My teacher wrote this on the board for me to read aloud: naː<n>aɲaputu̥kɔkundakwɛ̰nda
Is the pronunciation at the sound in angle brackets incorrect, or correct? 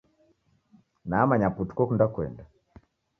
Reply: incorrect